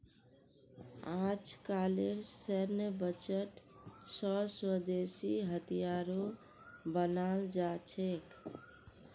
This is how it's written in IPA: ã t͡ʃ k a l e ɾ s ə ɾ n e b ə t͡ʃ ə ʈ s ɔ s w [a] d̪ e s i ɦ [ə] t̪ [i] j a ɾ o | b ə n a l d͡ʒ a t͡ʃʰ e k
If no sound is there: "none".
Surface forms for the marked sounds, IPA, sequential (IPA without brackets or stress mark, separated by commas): ə, ə, i